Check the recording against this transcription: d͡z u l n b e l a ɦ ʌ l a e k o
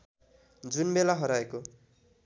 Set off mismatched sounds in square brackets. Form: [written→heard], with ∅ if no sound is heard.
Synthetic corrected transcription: d͡z u [l→∅] n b e l a ɦ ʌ [l→ɾ] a e k o